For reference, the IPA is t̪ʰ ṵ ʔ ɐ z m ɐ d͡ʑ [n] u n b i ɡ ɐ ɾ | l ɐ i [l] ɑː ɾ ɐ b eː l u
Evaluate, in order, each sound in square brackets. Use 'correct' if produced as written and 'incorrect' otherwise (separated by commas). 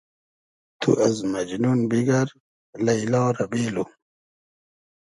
correct, correct